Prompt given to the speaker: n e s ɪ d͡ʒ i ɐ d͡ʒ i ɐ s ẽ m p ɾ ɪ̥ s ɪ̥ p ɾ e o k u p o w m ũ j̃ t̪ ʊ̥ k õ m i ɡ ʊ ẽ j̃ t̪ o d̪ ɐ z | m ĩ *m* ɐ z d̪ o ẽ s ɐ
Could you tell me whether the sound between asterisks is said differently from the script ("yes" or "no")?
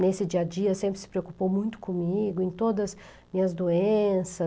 yes